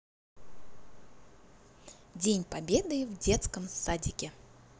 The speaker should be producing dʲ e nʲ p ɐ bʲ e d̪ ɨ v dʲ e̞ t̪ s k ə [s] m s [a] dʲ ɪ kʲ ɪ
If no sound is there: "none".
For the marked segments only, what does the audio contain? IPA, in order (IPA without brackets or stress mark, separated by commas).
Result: none, a